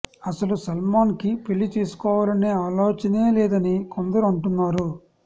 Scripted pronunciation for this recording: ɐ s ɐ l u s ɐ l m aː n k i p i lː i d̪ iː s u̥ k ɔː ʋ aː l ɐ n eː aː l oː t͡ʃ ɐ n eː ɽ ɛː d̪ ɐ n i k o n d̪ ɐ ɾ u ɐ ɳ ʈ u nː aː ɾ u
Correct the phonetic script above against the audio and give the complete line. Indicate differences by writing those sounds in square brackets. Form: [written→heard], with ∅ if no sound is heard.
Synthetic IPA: ɐ s ɐ l u s ɐ l m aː n k i p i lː i [d̪→t̪] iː s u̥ k ɔː ʋ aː l ɐ n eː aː l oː t͡ʃ ɐ n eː [ɽ→l] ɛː d̪ ɐ n i k o n d̪ ɐ ɾ u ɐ ɳ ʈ u nː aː ɾ u